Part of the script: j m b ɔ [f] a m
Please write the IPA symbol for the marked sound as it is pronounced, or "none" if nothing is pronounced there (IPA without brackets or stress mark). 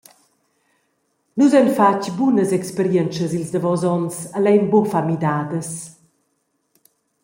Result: f